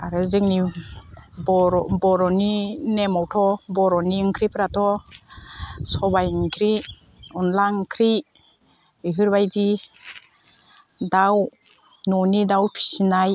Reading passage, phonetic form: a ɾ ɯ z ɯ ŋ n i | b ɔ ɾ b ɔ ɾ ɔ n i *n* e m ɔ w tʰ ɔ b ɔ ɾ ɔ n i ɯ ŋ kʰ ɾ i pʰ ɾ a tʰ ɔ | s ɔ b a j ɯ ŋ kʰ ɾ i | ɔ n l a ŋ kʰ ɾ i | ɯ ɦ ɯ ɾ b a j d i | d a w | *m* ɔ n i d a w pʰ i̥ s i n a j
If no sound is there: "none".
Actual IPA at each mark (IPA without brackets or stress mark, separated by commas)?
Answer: n, n